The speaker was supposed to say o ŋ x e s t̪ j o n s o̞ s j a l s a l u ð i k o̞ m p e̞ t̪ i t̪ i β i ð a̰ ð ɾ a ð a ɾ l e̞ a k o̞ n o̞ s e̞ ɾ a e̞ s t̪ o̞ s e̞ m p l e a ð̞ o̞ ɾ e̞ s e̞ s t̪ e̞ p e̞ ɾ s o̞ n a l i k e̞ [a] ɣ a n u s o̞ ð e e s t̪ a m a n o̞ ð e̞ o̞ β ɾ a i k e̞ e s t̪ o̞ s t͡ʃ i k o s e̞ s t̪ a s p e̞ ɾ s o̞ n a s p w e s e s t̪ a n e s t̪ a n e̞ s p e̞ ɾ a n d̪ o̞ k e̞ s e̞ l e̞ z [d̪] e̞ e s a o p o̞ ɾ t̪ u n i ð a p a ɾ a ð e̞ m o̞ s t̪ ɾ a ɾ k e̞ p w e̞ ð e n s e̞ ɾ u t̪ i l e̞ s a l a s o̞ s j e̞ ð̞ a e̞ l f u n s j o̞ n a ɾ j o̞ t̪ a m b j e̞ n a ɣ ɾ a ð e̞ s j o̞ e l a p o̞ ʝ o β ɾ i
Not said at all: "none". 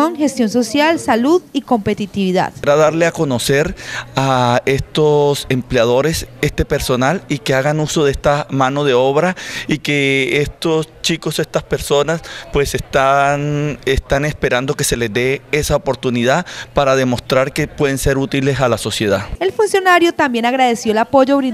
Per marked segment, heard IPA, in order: a, d̪

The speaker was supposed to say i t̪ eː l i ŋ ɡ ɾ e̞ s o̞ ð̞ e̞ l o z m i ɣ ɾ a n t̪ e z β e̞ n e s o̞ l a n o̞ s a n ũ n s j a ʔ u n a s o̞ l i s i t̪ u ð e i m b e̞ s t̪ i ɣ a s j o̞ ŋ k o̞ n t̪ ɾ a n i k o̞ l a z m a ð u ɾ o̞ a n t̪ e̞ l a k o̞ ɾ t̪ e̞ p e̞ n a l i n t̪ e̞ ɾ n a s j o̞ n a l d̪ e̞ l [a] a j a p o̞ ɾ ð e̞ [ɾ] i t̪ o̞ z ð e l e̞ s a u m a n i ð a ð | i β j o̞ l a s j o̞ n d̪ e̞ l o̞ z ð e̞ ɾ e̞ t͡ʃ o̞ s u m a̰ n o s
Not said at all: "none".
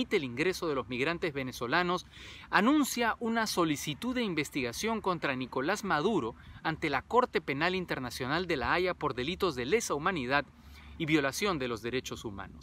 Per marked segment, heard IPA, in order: a, l

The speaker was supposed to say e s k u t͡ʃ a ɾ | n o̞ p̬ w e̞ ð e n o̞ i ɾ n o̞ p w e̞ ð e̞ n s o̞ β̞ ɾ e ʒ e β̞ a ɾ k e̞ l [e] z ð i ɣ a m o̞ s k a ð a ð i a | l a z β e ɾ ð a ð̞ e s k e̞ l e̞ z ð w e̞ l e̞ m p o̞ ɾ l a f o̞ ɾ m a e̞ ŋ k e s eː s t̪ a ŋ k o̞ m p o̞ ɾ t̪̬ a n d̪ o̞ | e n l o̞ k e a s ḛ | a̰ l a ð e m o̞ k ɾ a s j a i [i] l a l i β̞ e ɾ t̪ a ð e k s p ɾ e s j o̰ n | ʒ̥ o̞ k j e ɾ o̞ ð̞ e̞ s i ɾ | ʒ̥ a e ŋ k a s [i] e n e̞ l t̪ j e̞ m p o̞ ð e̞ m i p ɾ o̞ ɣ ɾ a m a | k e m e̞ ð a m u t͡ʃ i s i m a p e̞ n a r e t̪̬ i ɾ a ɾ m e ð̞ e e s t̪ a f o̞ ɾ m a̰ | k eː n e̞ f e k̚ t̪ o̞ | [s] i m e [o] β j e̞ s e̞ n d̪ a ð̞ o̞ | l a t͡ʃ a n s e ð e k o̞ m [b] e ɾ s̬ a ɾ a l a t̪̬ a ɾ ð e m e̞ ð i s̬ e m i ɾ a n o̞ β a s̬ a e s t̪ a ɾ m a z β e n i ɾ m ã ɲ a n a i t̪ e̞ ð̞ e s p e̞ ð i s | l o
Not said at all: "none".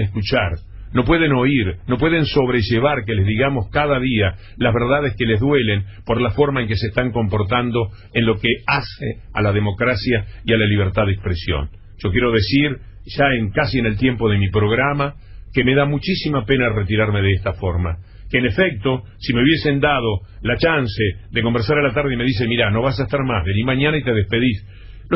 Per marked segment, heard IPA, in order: e, a, i, s, u, b

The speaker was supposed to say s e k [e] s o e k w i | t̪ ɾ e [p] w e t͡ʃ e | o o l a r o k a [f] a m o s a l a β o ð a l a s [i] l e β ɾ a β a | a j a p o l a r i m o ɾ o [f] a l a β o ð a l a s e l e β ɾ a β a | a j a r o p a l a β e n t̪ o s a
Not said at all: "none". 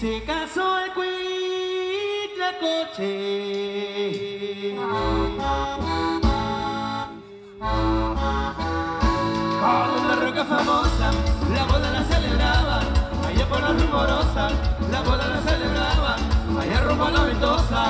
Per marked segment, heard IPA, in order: a, k, f, e, s

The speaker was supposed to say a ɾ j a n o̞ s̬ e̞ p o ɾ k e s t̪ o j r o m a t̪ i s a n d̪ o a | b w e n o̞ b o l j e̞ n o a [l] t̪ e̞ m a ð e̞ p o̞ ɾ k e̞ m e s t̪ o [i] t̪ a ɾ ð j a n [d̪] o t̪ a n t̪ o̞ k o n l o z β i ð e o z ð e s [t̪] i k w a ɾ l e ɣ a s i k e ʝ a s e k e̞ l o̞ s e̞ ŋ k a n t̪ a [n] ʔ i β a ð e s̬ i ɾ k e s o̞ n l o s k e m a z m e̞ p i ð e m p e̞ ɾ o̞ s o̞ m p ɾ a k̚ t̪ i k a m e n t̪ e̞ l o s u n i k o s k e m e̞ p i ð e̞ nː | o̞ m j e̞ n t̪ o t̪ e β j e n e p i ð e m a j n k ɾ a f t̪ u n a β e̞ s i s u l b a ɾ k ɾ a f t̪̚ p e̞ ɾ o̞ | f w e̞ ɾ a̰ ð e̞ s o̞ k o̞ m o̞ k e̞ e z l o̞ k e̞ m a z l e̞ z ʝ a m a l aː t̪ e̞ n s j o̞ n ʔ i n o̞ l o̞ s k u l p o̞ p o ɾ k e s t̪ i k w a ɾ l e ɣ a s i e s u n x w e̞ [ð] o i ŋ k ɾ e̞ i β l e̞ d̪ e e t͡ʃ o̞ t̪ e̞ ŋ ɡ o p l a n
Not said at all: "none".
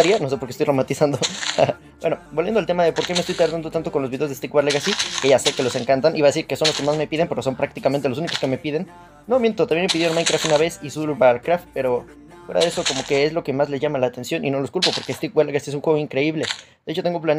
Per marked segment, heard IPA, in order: l, j, d̪, t̪, n, ɣ

